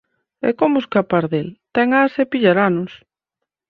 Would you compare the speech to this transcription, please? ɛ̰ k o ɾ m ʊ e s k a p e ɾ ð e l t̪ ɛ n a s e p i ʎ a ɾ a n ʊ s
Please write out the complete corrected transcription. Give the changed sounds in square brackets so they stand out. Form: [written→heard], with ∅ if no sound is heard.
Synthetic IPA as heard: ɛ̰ k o [ɾ→∅] m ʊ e s k a p [e→a] ɾ ð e l t̪ ɛ [n→ŋ] a s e p i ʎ a ɾ a n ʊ s